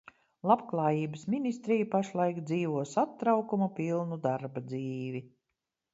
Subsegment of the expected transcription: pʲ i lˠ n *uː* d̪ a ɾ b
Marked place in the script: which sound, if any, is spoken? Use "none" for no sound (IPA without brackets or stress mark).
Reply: u